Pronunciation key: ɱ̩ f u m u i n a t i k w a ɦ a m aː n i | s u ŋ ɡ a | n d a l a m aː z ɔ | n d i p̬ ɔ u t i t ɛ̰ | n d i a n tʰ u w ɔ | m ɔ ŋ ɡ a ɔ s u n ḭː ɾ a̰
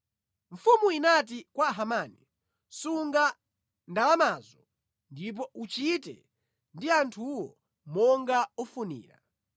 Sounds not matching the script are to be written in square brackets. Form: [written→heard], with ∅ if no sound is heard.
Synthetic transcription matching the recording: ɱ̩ f u m u i n a t i k w a ɦ a m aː n i | s u ŋ ɡ a | n d a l a m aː z ɔ | n d i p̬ ɔ u [t→t͡ʃ] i t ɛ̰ | n d i a n tʰ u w ɔ | m ɔ ŋ ɡ a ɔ [s→f] u n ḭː ɾ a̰